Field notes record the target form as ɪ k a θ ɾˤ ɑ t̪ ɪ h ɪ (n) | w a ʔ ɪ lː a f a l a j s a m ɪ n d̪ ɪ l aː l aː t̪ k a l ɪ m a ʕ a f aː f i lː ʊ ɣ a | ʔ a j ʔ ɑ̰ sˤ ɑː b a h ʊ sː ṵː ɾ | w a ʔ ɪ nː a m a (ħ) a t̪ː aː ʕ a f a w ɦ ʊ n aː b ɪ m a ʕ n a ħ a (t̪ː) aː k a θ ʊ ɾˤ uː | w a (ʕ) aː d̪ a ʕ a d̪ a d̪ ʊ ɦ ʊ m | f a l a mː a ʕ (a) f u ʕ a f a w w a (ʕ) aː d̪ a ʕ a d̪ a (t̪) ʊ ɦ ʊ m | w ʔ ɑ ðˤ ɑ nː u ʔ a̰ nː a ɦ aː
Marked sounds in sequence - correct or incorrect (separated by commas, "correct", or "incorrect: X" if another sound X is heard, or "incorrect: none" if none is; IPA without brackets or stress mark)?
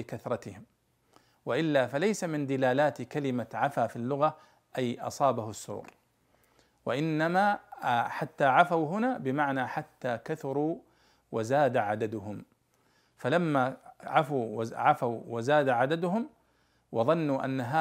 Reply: incorrect: m, correct, correct, incorrect: z, correct, incorrect: z, incorrect: d̪